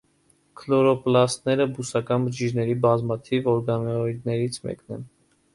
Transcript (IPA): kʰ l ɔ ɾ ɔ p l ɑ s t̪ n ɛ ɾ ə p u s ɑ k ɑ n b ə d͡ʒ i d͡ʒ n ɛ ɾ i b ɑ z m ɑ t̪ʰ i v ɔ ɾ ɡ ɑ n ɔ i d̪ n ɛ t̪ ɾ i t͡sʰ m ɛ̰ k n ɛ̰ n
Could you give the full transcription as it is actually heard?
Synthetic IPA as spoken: kʰ l ɔ ɾ ɔ p l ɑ s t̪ n ɛ ɾ ə b u s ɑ k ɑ n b ə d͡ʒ i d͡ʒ n ɛ ɾ i b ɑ z m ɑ t̪ʰ i v ɔ ɾ ɡ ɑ n ɔ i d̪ n ɛ ɾ i t͡sʰ m ɛ̰ k n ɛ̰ n